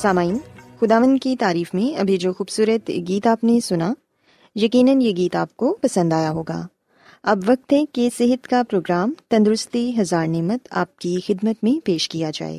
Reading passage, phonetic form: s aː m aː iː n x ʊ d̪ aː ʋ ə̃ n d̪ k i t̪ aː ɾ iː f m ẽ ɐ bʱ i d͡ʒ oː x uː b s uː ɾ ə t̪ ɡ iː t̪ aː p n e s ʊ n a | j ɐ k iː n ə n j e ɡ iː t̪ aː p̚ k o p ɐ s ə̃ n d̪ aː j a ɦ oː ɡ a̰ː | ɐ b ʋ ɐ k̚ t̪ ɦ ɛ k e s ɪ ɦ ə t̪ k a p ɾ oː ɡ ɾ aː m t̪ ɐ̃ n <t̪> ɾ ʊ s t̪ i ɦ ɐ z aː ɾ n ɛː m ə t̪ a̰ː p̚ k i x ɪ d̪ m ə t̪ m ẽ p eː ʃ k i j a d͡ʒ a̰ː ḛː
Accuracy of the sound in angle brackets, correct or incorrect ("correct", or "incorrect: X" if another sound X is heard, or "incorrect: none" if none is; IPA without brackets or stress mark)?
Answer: incorrect: d̪